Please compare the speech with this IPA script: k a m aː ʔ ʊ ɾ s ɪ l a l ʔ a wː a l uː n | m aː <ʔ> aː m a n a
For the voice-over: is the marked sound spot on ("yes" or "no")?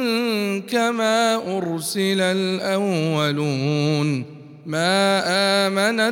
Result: yes